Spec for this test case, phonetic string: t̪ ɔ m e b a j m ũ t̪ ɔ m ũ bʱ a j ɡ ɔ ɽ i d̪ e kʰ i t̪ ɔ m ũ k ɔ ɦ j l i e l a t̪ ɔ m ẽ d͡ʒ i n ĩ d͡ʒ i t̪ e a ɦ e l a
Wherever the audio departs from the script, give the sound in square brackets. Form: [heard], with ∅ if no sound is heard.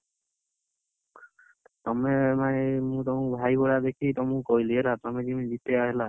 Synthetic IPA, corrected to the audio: t̪ ɔ m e [m] a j m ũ t̪ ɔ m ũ bʱ a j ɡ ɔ ɽ [a] d̪ e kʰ i t̪ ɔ m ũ k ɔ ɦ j l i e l a t̪ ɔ m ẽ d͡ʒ i [m] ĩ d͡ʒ i t̪ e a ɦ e l a